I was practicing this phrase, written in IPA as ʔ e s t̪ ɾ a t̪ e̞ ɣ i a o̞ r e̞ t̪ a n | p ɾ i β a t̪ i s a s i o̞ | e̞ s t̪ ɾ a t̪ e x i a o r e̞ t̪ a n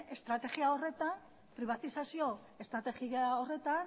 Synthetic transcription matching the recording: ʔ e s t̪ ɾ a t̪ e̞ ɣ i a o̞ r e̞ t̪ a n | p ɾ i β a t̪ i s a s i o̞ | e̞ s t̪ ɾ a t̪ e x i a o r e̞ t̪ a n